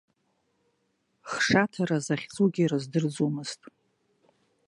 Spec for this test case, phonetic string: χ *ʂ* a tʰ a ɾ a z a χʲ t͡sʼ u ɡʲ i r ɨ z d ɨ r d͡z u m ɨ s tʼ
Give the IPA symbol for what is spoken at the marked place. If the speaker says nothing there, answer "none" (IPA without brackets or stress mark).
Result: ʂ